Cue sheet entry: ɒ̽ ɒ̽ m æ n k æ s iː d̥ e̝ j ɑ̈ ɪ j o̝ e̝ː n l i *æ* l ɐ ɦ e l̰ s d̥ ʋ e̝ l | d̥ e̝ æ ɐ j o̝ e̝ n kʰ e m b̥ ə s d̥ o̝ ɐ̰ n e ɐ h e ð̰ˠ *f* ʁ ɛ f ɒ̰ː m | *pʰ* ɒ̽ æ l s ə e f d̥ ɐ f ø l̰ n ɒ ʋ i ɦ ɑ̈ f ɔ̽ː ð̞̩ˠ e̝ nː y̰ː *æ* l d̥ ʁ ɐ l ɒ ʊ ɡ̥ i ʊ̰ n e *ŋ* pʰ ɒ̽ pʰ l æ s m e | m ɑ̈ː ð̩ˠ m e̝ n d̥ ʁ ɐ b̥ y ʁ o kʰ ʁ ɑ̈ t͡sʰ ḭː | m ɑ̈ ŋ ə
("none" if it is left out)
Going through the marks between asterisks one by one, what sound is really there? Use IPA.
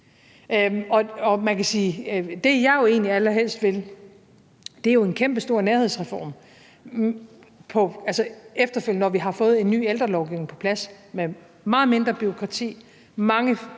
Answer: æ, s, pʰ, e, ŋ

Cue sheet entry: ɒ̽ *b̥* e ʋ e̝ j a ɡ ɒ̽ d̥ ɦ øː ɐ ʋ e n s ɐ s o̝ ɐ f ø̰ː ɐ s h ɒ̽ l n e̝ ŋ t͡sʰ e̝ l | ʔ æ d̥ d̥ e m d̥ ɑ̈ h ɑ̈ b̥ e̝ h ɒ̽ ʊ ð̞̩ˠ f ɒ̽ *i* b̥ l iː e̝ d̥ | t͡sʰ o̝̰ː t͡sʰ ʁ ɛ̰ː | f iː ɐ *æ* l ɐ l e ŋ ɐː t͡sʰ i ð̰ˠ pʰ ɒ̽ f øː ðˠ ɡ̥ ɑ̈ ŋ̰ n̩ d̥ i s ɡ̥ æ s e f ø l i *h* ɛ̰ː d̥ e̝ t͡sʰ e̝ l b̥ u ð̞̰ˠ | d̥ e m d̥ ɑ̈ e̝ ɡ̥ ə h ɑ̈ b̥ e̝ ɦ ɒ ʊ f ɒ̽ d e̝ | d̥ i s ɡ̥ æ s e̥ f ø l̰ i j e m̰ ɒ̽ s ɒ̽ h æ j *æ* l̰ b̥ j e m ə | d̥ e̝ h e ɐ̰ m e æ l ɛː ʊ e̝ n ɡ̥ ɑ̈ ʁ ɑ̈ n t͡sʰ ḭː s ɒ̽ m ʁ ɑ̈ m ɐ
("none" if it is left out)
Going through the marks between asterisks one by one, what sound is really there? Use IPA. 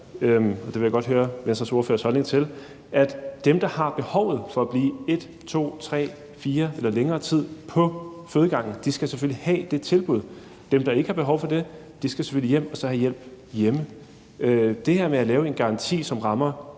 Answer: d̥, æ, e, h, e

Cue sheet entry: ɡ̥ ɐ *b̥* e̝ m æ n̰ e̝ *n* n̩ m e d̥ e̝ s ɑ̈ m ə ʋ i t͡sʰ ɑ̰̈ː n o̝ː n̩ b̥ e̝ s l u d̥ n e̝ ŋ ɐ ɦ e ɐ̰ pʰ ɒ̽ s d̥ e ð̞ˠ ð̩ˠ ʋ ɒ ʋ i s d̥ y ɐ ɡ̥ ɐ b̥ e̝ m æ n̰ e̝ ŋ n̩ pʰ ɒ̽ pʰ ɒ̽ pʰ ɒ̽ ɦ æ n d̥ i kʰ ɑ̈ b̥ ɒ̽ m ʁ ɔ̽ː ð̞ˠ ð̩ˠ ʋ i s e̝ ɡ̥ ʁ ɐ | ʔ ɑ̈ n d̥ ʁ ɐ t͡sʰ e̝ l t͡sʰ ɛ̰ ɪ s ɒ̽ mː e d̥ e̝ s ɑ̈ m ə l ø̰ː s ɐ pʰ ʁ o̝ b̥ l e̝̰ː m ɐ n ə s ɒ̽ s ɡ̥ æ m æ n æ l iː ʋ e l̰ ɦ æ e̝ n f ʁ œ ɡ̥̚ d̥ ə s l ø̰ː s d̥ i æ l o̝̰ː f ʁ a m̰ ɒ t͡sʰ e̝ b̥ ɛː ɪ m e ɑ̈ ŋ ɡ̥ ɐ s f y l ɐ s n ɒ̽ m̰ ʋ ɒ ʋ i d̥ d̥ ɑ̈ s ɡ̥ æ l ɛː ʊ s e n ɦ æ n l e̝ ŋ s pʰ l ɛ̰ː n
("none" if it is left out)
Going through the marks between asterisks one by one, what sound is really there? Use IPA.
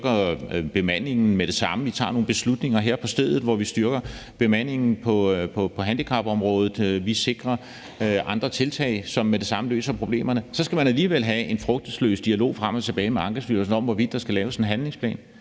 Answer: b̥, ŋ

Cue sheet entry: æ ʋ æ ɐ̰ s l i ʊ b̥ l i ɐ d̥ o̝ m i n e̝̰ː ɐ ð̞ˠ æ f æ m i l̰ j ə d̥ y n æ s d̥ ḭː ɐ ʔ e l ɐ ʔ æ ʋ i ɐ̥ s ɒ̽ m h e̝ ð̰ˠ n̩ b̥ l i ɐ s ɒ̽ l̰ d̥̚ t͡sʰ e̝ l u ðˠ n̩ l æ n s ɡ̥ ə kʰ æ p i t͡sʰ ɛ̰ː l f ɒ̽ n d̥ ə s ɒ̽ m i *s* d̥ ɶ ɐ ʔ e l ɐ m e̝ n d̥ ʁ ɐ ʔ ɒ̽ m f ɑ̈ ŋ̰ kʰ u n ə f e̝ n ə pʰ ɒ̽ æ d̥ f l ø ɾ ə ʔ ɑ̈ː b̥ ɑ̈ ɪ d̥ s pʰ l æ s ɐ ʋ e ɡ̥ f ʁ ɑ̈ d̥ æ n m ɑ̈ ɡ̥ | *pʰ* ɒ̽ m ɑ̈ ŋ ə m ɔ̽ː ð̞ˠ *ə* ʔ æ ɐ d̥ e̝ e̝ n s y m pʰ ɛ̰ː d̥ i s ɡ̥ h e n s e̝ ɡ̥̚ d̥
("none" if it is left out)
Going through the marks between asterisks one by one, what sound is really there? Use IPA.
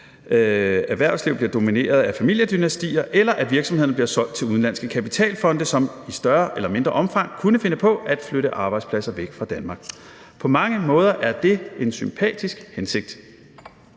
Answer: s, pʰ, ɐ

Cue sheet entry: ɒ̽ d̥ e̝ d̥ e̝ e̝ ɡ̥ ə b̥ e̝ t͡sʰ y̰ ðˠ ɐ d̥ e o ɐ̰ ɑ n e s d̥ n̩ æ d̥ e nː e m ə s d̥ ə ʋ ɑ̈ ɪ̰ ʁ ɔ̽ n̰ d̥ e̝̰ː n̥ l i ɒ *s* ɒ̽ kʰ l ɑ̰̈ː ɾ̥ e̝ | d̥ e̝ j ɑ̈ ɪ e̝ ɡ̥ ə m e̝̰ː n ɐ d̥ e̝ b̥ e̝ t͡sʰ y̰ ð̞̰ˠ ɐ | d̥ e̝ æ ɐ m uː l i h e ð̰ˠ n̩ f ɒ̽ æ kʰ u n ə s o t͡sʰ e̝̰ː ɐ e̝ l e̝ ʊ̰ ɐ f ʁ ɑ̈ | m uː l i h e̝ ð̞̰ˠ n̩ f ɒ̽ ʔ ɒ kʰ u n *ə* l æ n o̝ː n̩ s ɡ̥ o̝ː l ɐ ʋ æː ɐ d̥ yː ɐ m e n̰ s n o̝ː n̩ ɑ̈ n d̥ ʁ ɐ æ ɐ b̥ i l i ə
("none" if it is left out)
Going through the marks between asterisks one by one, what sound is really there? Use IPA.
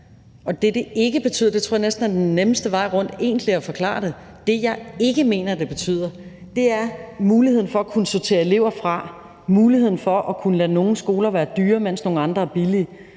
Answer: f, ə

